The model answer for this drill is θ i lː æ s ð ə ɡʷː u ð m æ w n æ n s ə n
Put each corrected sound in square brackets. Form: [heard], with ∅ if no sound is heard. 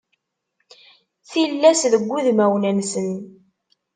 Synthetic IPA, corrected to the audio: θ i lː æ s ð ə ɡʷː u ð m æ w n æ n s ə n